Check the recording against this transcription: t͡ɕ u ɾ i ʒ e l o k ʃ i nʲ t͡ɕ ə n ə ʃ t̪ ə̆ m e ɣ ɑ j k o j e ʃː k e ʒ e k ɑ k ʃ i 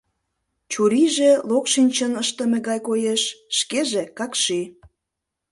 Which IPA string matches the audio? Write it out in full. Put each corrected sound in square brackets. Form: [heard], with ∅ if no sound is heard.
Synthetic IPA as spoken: t͡ɕ u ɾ i ʒ e l o k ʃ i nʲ t͡ɕ ə n ə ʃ t̪ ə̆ m e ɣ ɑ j k o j e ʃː k e ʒ e k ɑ k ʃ i